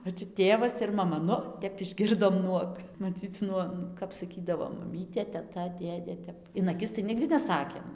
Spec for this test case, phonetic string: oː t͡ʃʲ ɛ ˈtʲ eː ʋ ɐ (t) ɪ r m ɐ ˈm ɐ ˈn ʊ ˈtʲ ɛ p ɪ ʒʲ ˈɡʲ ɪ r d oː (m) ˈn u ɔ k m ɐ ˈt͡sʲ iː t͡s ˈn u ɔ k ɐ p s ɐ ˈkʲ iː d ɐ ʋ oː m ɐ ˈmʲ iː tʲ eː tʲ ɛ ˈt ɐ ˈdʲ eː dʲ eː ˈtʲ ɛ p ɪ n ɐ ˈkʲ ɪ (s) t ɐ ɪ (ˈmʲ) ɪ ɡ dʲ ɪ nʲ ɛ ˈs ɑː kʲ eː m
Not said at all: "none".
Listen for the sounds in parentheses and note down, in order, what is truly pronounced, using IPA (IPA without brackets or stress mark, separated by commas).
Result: s, m, s, nʲ